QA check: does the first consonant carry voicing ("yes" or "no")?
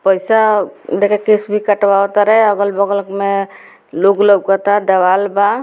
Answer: no